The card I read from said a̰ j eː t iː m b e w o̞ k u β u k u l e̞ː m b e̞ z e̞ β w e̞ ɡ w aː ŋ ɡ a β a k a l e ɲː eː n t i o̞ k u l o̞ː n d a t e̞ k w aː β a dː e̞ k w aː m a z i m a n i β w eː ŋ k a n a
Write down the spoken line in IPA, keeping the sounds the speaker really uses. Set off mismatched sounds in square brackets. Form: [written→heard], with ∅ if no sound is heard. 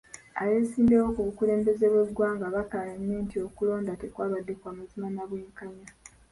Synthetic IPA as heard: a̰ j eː [t→s] iː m b e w o̞ k u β u k u l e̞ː m b e̞ z e̞ β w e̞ [ɡ→d] w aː ŋ ɡ a β a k a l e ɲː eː n t i o̞ k u l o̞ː n d a t e̞ k w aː β a dː e̞ k w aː m a z i m a n [i→a] β w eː ŋ k a [n→ɲ] a